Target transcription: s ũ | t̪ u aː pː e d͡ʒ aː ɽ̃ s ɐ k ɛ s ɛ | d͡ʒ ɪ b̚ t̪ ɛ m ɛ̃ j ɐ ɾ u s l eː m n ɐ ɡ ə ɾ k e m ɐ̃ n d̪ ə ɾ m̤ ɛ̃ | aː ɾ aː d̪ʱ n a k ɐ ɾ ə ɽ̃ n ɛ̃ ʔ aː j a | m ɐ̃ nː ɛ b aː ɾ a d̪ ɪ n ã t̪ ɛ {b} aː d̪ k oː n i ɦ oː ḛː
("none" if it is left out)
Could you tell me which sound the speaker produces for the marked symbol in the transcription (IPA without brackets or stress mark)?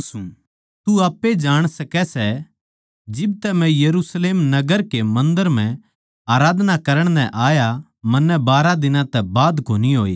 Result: b